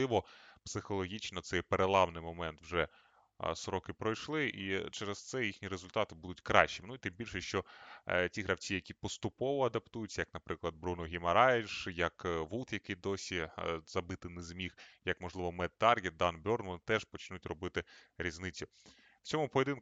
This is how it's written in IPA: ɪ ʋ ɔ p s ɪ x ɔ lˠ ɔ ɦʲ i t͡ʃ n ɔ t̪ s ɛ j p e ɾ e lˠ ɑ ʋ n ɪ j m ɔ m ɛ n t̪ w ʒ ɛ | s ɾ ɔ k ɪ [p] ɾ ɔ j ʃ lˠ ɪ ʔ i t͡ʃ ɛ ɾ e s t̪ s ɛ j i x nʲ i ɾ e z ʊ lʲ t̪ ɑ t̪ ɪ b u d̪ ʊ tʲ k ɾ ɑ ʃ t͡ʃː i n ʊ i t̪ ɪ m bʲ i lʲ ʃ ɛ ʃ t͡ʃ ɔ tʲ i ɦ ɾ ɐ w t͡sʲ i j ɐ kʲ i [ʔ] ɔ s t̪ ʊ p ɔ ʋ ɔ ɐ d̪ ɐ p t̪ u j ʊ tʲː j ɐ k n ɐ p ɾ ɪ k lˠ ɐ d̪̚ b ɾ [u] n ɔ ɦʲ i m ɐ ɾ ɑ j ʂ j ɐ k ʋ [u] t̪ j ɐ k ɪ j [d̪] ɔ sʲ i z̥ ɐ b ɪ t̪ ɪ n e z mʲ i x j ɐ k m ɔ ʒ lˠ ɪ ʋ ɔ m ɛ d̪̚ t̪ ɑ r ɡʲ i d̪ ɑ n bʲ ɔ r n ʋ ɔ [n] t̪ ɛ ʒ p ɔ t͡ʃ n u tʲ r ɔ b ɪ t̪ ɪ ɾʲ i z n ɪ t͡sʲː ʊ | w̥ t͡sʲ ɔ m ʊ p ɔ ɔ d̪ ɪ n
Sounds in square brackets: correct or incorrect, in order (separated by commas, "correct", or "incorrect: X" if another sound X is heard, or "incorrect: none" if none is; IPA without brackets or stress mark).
correct, incorrect: p, correct, correct, correct, correct